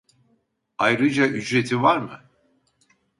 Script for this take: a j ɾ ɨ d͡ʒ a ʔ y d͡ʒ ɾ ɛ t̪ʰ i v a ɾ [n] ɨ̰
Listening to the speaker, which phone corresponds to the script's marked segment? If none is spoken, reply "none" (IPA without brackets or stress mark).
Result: m